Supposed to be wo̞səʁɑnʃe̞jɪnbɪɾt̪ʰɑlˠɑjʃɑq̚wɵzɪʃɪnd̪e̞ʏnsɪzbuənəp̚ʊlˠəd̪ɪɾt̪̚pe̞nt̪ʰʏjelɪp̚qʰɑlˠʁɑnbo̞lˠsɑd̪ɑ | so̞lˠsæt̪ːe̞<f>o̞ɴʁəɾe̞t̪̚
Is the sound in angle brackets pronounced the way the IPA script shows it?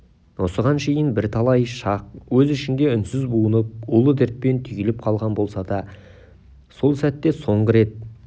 no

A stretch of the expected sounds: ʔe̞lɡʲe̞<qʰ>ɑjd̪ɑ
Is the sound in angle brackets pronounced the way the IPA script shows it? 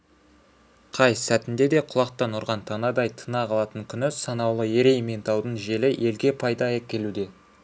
no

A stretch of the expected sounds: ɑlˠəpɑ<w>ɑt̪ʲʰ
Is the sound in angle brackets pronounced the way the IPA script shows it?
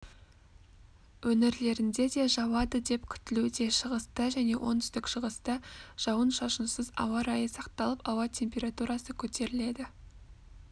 yes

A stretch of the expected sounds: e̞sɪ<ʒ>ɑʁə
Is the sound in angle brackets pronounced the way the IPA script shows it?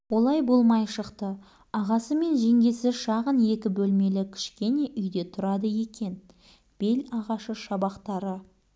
no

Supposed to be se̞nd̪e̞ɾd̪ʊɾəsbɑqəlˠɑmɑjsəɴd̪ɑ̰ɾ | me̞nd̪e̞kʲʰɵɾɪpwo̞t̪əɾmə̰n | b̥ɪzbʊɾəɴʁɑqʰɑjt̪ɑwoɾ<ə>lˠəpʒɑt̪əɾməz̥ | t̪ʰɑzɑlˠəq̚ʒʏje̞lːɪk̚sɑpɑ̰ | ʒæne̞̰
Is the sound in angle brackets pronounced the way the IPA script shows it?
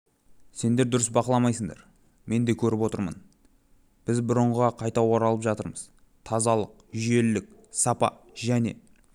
no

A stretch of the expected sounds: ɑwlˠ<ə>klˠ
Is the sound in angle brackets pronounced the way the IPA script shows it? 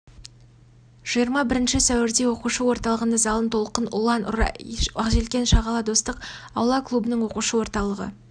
no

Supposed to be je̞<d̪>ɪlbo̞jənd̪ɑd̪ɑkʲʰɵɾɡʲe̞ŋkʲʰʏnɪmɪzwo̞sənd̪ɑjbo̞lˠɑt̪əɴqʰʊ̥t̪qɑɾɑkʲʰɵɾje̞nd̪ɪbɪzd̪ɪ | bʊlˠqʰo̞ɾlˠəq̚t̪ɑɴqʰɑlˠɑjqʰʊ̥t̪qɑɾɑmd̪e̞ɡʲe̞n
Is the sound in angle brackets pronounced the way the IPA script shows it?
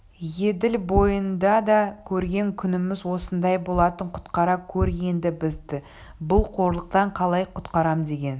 yes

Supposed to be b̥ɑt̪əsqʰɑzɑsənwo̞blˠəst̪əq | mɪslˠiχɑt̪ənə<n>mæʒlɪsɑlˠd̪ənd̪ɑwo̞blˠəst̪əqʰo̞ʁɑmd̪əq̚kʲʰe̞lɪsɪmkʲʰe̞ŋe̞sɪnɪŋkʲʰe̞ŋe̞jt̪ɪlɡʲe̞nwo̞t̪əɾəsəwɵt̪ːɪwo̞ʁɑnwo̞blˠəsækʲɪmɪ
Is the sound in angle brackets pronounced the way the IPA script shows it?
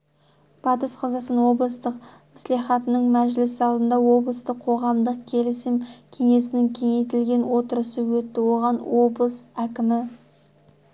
no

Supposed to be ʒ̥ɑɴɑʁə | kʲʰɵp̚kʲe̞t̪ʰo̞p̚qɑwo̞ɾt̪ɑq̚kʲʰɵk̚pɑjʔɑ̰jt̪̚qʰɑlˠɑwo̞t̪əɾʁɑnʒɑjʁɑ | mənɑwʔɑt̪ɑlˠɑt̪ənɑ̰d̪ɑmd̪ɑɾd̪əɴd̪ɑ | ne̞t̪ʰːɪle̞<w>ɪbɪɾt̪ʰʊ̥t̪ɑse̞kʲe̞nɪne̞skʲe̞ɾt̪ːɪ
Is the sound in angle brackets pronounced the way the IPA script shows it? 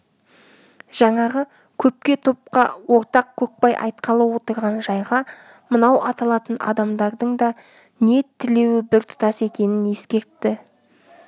yes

